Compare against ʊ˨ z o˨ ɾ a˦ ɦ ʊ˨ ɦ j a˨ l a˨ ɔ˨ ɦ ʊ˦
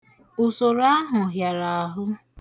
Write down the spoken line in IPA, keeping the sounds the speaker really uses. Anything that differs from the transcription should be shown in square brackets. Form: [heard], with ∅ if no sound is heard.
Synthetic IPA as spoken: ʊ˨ [s] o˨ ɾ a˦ ɦ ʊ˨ ɦ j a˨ [ɾ] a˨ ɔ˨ ɦ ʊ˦